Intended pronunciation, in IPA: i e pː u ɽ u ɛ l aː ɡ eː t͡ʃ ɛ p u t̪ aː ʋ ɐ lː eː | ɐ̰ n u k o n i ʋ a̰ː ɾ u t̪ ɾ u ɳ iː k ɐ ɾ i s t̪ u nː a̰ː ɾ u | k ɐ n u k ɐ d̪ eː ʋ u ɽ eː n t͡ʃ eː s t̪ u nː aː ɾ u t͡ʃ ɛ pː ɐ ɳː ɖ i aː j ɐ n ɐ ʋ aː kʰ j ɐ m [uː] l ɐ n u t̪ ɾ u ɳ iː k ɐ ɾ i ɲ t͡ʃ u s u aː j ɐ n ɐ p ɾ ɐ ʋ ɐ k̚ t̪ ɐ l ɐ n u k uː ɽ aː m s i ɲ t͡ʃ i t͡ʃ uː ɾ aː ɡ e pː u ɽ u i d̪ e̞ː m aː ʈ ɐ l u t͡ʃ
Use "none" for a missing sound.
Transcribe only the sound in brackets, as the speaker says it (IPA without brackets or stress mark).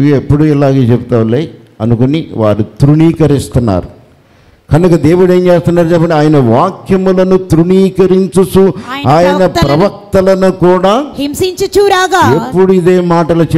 u